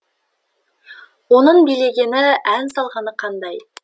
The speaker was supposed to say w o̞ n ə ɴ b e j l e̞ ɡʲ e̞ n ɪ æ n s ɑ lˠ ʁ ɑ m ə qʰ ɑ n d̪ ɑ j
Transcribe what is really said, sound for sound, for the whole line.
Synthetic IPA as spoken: w o̞ n ə ɴ b i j l e̞ ɡʲ e̞ n ɪ æ n s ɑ lˠ ʁ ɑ n ə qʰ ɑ n d̪ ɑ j